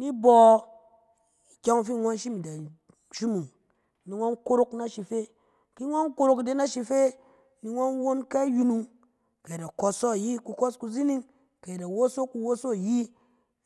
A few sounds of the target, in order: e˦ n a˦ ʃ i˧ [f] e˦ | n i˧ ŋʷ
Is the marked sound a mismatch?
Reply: no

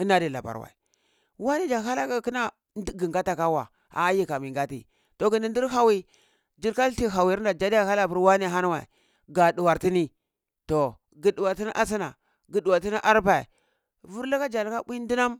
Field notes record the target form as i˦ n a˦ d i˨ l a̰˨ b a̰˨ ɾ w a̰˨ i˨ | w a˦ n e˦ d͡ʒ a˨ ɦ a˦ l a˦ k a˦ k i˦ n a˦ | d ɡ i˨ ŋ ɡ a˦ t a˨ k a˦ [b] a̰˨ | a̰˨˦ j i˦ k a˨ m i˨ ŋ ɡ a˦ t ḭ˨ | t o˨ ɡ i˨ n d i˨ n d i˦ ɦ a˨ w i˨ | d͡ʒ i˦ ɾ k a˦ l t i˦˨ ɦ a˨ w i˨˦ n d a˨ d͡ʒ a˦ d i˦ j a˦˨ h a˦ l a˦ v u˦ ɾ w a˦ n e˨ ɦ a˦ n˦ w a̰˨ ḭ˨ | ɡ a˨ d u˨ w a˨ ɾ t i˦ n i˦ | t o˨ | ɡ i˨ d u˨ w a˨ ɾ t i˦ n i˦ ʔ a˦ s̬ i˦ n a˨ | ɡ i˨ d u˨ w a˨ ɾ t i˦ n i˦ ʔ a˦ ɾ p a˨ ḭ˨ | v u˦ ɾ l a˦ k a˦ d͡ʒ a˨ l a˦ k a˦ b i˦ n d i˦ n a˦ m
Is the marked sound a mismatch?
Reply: yes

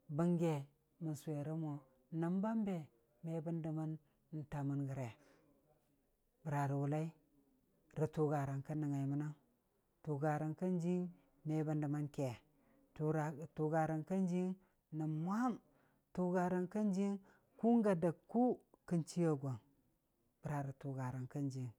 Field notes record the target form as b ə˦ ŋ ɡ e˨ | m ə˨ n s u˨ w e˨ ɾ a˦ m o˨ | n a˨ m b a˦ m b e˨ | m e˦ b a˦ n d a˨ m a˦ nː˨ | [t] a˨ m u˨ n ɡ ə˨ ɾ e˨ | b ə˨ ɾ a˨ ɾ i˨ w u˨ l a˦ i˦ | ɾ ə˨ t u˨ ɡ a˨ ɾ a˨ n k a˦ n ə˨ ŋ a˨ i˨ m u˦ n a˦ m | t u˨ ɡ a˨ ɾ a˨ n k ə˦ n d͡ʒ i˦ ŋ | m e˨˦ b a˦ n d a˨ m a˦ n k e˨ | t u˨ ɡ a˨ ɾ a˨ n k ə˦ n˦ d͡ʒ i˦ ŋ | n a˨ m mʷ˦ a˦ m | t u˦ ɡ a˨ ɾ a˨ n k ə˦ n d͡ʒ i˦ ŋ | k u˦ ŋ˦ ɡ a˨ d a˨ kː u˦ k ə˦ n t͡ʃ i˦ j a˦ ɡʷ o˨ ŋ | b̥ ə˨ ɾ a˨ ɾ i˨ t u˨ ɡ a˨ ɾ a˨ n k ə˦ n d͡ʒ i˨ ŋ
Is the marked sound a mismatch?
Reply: no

